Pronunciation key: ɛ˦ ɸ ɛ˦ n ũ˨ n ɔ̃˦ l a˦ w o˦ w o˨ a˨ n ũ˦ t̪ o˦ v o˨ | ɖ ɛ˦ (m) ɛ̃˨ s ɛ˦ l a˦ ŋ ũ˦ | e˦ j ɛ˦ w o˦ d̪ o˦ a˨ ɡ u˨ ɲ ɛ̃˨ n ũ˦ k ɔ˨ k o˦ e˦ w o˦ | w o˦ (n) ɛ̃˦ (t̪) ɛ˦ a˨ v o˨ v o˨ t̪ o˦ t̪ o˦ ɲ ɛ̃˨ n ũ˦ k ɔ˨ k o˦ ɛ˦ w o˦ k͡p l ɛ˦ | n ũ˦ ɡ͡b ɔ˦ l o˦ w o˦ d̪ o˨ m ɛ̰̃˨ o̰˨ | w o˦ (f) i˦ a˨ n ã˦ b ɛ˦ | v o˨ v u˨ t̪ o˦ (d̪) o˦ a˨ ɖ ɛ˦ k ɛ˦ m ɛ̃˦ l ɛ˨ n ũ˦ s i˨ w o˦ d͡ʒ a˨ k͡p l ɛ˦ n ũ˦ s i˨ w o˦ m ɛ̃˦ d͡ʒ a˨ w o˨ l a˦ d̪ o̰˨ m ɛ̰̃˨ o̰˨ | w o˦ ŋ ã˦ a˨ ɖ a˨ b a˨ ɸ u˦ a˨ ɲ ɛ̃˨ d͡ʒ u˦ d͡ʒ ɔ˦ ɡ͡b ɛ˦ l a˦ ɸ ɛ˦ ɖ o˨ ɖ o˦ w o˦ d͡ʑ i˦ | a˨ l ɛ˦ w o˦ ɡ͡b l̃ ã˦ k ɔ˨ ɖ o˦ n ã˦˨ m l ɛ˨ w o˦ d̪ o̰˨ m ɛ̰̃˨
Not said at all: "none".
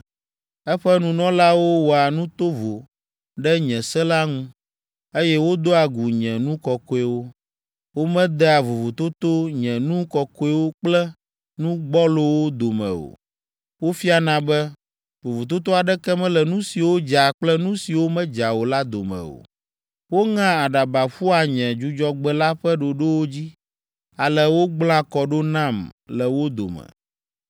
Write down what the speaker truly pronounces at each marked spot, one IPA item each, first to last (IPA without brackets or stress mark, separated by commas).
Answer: ɲ, m, d̪, f, t̪